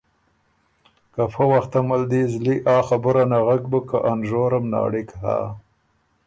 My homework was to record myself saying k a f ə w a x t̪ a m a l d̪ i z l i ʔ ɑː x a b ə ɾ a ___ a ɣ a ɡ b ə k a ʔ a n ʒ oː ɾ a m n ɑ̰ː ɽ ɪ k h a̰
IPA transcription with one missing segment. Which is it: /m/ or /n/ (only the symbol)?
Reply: n